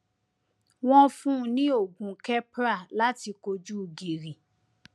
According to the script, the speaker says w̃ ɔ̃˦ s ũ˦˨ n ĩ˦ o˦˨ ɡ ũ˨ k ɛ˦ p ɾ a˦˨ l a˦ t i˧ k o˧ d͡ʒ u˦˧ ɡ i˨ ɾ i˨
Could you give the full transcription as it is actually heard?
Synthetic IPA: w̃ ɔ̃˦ f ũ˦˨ n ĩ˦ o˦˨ ɡ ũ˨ k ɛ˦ p ɾ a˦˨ l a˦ t i˧ k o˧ d͡ʒ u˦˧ ɡ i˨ ɾ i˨